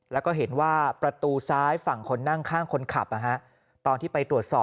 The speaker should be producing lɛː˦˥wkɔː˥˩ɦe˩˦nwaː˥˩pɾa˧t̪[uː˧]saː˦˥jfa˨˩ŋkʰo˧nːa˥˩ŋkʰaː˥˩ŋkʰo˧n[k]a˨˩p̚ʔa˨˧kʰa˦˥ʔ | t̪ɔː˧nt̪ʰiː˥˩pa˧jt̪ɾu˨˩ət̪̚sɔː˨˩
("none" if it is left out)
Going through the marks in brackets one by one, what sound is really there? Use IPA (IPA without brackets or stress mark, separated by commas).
uː˧, kʰ